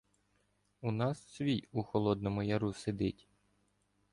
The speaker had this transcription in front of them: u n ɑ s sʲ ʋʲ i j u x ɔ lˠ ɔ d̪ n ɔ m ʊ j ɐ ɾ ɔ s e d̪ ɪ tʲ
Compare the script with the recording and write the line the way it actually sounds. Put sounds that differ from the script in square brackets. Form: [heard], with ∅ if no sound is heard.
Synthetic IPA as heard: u n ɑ s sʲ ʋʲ i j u x ɔ lˠ ɔ d̪ n ɔ m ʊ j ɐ ɾ [u] s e d̪ ɪ tʲ